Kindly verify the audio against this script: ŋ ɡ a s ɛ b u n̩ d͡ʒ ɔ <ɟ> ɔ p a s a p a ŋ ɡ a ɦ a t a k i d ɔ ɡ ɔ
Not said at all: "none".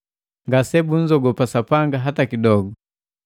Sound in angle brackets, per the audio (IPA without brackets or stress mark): ɡ